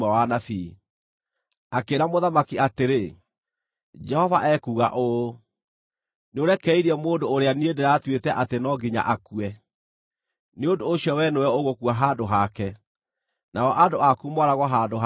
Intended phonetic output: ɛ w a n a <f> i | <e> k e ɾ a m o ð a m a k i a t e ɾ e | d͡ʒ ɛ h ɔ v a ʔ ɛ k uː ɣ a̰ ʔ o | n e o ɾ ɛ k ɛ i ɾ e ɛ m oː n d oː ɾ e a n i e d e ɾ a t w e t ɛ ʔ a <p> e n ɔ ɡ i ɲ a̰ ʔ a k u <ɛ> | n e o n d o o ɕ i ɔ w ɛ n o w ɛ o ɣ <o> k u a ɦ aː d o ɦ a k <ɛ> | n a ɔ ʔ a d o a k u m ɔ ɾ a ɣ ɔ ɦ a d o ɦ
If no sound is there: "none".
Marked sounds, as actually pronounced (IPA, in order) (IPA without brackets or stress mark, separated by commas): f, a, t, ɛ, o, ɛ